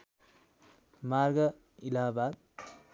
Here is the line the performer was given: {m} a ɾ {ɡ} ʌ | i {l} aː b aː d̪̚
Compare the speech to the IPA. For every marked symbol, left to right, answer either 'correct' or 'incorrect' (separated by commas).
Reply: correct, correct, correct